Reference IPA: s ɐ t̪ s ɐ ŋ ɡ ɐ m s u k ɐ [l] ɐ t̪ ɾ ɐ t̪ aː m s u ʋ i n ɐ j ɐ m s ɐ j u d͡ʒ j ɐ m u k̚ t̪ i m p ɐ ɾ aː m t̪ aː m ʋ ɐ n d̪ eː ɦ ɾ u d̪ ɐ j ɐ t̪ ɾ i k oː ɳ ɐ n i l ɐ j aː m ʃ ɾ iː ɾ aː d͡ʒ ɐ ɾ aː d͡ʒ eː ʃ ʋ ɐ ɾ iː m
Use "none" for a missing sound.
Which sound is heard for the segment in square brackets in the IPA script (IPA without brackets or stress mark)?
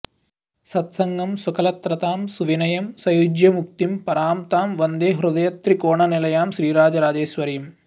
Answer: l